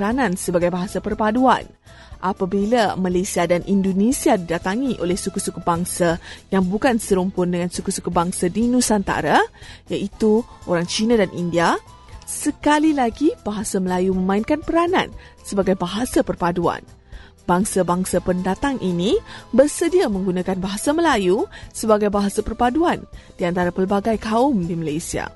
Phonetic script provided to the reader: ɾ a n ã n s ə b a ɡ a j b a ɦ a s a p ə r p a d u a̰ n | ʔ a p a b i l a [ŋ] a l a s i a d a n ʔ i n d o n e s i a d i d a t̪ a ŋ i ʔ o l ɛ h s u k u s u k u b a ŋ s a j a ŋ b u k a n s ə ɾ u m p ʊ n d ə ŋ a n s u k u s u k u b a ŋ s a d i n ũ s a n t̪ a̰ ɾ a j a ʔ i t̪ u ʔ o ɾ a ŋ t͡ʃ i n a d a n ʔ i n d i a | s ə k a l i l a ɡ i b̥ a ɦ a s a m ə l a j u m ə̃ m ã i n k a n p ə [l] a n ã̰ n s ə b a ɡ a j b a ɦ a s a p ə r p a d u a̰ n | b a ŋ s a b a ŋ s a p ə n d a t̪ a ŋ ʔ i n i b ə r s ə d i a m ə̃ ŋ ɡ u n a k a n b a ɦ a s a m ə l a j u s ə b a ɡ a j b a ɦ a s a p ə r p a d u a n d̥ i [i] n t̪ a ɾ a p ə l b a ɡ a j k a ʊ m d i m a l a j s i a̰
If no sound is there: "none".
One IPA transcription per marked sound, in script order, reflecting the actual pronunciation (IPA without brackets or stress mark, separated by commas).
m, ɾ, a